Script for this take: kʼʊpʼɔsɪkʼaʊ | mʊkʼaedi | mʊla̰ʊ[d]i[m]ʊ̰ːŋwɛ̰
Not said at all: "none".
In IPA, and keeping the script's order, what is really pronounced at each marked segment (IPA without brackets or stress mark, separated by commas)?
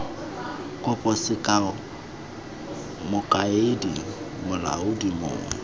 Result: d, m